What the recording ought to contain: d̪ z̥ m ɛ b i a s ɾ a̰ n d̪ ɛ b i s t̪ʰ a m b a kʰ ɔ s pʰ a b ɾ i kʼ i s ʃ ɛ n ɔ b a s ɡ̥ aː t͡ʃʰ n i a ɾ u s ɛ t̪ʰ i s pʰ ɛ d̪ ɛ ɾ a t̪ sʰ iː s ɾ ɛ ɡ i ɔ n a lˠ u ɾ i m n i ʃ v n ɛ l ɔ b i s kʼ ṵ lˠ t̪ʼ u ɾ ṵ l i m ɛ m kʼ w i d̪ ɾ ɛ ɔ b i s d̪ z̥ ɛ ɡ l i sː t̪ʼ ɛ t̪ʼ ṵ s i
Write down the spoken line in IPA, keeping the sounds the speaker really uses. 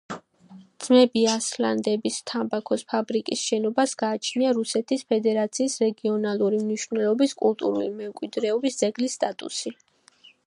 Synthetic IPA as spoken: d̪ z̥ m ɛ b i a s l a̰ n d̪ ɛ b i s t̪ʰ a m b a kʰ ɔ s pʰ a b ɾ i kʼ i s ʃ ɛ n ɔ b a s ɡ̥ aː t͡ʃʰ n i a ɾ u s ɛ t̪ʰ i s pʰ ɛ d̪ ɛ ɾ a t̪ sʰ iː s ɾ ɛ ɡ i ɔ n a lˠ u ɾ i m n i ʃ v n ɛ l ɔ b i s kʼ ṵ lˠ t̪ʼ u ɾ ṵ l i m ɛ m kʼ w i d̪ ɾ ɛ ɔ b i s d̪ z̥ ɛ ɡ l i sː t̪ʼ a t̪ʼ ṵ s i